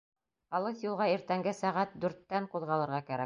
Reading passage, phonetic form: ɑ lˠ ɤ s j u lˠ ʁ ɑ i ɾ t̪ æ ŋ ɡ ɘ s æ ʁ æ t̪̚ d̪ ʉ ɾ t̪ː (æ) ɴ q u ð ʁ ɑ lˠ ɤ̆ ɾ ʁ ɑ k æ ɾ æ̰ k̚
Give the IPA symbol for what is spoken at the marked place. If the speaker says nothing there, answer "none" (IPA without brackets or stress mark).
æ